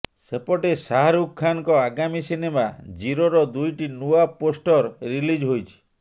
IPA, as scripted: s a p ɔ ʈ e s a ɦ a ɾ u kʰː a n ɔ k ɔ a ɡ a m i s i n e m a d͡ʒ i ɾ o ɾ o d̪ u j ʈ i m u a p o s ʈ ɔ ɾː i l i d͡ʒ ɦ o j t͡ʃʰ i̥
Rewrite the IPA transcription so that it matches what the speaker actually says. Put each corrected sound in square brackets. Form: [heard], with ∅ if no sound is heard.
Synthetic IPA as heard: s [e] p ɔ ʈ e s a ɦ a ɾ u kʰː a n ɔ k ɔ a ɡ a m i s i n e m a d͡ʒ i ɾ o ɾ [ɔ] d̪ u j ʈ i [n] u a p o s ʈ ɔ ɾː i l i d͡ʒ ɦ o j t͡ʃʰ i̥